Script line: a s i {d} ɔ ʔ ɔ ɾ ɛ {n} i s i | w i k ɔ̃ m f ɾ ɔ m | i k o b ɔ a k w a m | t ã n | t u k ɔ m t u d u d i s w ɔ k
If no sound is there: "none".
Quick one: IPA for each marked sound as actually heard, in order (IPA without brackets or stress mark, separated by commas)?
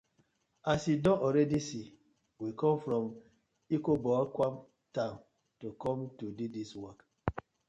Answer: d, d